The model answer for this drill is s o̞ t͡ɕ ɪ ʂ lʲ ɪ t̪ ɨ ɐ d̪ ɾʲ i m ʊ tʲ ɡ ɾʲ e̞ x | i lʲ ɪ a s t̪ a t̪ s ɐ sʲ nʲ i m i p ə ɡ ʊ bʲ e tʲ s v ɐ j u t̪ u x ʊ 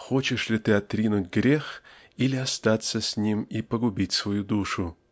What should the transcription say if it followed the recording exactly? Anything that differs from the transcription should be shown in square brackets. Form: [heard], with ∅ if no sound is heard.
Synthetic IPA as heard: [x] o̞ t͡ɕ ɪ ʂ lʲ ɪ t̪ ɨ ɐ [t̪] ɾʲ i [n] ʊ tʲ ɡ ɾʲ e̞ x | i lʲ ɪ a s t̪ a t̪ s [ə] sʲ nʲ i m i p ə ɡ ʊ bʲ [i] tʲ s v ɐ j u [d̪] u [ʂ] ʊ